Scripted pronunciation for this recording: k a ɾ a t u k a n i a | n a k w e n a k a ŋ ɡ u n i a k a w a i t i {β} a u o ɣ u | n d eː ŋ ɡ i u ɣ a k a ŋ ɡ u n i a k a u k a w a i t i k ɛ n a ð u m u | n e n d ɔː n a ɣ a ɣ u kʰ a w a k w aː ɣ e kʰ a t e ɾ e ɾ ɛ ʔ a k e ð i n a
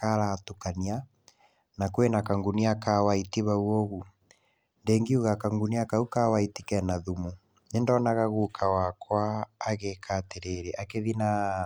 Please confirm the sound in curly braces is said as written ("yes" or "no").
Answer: yes